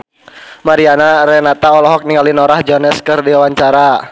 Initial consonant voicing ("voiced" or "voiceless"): voiced